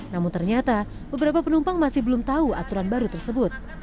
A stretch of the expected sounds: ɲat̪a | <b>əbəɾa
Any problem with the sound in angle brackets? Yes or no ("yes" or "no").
no